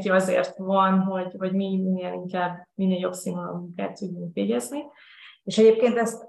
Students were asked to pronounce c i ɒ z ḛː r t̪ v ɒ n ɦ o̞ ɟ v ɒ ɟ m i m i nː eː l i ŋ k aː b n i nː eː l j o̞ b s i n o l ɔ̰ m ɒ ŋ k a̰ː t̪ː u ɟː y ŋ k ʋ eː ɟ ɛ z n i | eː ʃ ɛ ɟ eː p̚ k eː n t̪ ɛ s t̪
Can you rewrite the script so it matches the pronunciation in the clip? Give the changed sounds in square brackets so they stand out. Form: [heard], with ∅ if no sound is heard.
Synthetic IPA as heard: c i ɒ z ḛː r t̪ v ɒ n ɦ o̞ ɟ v ɒ ɟ m i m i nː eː l i ŋ k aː b [m] i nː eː l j o̞ b s i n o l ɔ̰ m [u] ŋ k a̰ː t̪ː u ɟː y ŋ k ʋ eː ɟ ɛ z n i | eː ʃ ɛ ɟ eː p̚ k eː n t̪ ɛ s t̪